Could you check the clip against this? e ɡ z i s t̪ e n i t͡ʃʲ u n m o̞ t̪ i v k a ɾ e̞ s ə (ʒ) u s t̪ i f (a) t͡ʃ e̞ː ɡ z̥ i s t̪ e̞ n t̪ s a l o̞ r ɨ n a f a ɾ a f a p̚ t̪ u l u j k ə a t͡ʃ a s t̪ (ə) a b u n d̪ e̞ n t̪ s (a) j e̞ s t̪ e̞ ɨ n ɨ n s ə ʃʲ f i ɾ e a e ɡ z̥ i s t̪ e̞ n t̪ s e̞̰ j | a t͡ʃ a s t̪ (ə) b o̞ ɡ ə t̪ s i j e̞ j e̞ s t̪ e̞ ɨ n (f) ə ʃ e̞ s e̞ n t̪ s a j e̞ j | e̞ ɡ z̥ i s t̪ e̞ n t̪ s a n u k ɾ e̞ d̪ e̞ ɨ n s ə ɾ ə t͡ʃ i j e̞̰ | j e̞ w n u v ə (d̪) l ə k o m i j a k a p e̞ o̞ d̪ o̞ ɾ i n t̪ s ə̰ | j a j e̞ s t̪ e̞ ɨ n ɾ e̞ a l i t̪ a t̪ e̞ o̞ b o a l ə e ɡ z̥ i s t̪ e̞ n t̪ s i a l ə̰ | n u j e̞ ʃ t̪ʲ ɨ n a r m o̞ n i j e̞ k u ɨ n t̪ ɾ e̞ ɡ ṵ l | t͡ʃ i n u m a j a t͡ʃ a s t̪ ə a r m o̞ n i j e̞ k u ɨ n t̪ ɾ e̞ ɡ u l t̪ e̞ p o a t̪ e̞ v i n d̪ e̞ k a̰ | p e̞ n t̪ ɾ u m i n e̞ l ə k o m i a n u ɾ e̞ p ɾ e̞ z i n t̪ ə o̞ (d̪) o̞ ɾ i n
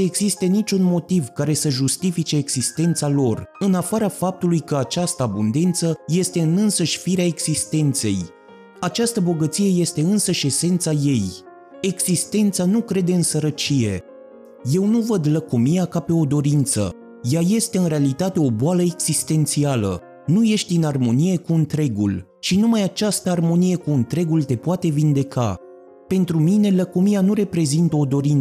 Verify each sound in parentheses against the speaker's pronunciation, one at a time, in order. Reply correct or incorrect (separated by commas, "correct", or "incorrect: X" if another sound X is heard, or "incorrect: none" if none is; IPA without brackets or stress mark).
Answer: correct, incorrect: i, correct, incorrect: ə, correct, incorrect: s, correct, correct